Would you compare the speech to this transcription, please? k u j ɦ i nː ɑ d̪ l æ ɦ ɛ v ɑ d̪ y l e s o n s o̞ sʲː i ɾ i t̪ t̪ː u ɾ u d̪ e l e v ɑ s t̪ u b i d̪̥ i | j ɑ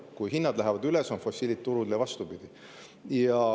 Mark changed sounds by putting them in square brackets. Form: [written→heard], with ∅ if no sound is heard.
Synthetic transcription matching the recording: k u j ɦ i nː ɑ d̪ l æ ɦ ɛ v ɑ d̪ y l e s o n [s→f] o̞ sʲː i [ɾ→l] i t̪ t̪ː u ɾ u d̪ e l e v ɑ s t̪ u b i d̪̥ i | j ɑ